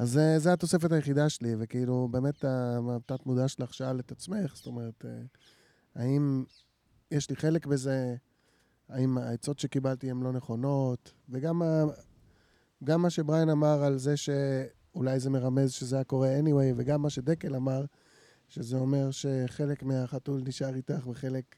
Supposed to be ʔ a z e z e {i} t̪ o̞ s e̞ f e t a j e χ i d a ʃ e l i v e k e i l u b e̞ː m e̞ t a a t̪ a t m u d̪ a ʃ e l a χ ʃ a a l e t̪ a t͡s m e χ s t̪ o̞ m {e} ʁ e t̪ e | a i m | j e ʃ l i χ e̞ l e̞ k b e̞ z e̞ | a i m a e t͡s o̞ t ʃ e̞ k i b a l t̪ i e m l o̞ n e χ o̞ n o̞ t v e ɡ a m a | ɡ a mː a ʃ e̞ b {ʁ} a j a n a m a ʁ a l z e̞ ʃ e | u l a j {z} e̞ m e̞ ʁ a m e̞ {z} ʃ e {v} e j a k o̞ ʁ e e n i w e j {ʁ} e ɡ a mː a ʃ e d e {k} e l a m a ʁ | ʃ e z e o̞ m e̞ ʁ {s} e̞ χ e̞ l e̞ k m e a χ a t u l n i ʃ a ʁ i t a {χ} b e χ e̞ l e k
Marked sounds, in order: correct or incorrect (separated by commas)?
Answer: incorrect, correct, correct, correct, correct, incorrect, incorrect, correct, incorrect, correct